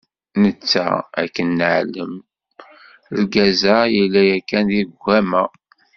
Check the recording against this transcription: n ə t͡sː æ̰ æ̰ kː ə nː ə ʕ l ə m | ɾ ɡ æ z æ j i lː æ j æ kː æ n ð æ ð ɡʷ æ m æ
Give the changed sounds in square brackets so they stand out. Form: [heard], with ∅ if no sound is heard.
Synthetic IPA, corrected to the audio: n ə t͡sː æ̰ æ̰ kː ə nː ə ʕ l ə m | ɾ ɡ æ z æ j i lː æ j æ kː æ n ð [i] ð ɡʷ æ m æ